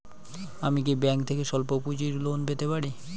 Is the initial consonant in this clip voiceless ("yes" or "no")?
no